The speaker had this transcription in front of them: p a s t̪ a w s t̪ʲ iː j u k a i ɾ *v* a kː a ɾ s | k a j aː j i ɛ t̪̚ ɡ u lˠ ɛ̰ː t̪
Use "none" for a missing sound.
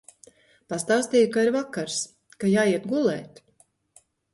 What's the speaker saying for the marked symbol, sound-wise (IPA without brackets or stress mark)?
v